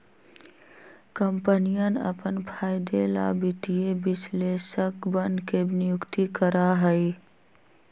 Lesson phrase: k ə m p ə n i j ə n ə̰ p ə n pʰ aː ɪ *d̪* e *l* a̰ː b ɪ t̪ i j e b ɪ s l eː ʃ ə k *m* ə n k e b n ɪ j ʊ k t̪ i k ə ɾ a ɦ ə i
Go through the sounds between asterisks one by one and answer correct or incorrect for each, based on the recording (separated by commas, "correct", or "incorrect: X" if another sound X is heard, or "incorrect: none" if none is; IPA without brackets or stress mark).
correct, correct, incorrect: b